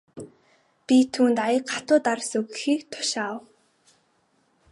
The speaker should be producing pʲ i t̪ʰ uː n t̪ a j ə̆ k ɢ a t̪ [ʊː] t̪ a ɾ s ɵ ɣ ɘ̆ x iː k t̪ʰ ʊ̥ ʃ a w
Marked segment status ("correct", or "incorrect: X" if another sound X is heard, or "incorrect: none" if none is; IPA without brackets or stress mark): correct